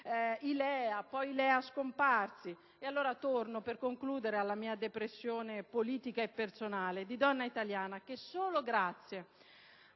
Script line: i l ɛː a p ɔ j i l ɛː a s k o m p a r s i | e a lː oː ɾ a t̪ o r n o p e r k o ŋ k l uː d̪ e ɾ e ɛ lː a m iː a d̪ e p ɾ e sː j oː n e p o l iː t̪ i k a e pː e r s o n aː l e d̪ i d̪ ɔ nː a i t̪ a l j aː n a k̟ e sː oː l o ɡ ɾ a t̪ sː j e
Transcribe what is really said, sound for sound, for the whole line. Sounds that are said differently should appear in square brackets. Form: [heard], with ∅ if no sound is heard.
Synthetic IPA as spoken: i l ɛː a p ɔ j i l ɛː a s k o m p a r s i | e a lː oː ɾ a t̪ o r n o p e r k o ŋ k l uː d̪ e ɾ e [a] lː a m iː a d̪ e p ɾ e sː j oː n e p o l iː t̪ i k a e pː e r s o n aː l e d̪ i d̪ ɔ nː a i t̪ a l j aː n a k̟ e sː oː l o ɡ ɾ a t̪ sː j e